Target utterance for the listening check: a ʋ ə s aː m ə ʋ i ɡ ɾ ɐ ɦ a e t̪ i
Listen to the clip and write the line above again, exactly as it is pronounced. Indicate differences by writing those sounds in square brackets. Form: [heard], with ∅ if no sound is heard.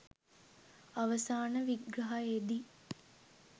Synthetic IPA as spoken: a ʋ ə s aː [n] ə ʋ i ɡ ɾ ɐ ɦ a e [d̪] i